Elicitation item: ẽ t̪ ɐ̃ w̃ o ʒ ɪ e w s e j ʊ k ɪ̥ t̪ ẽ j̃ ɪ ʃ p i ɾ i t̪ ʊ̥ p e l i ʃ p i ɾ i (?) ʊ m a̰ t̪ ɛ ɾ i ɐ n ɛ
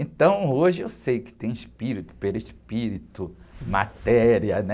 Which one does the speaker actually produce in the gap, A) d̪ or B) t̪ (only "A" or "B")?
B